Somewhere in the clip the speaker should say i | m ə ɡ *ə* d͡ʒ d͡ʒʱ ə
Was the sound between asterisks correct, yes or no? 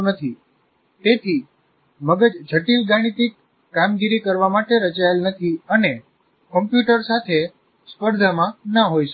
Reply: yes